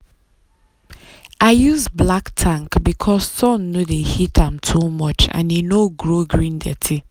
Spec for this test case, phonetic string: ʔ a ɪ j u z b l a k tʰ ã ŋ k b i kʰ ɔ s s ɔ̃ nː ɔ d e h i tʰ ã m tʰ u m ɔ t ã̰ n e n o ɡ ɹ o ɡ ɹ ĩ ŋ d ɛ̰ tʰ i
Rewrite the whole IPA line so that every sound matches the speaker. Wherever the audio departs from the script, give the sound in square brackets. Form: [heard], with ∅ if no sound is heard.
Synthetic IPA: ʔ a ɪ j u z b l a k tʰ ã ŋ k b i kʰ ɔ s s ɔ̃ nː [o] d e h i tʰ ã m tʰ u m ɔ [t͡ʃ] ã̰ n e n o ɡ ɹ o ɡ ɹ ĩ [n] d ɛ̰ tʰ i